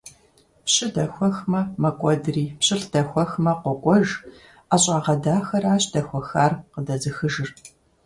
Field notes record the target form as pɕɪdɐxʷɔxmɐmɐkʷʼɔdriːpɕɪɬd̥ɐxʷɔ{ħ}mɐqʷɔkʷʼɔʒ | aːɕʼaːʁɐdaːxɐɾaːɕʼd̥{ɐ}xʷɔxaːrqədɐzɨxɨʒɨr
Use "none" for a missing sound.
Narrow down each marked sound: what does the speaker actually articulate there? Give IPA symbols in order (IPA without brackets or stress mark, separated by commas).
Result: x, ɐ